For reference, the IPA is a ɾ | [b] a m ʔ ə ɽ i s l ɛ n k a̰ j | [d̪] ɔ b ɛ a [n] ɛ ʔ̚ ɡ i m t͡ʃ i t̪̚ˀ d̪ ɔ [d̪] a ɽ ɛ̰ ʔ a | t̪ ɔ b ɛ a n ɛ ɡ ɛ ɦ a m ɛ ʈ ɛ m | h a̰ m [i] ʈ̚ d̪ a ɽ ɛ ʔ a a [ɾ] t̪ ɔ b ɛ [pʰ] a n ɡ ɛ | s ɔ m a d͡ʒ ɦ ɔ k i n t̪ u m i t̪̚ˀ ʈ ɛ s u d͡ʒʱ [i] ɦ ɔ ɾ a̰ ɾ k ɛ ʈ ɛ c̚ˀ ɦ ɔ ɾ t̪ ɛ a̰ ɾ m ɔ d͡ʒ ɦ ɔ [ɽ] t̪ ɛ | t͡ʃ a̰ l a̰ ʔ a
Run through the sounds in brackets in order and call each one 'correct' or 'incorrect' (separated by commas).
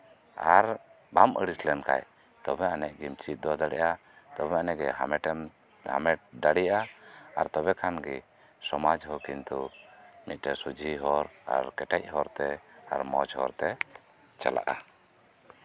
correct, incorrect, correct, correct, incorrect, correct, incorrect, correct, incorrect